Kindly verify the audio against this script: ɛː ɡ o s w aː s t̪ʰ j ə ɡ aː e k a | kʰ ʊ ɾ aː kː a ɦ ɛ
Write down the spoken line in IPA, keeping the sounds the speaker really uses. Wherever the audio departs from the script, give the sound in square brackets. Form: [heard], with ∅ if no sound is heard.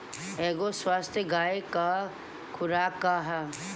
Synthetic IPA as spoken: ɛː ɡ o s w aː s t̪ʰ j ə ɡ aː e k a | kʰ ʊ ɾ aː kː a ɦ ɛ